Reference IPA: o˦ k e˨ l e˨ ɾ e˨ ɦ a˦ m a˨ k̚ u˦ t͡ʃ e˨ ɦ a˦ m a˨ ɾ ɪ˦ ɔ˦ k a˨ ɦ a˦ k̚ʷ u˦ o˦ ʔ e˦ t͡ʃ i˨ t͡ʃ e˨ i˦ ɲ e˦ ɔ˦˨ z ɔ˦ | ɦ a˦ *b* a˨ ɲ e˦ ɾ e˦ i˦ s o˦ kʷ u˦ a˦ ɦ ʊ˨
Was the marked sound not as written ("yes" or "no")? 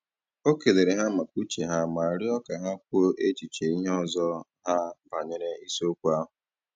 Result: no